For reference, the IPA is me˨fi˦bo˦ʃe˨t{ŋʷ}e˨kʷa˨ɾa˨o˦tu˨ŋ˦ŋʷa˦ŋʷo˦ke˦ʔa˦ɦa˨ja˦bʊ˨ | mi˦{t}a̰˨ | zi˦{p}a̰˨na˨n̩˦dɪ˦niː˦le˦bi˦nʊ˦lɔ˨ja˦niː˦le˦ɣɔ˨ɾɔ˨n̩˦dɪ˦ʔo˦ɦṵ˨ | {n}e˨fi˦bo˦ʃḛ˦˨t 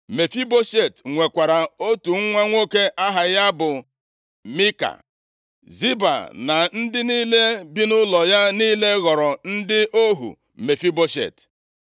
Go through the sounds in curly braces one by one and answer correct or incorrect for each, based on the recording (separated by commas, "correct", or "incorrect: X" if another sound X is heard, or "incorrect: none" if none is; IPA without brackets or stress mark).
correct, incorrect: k, incorrect: b, incorrect: m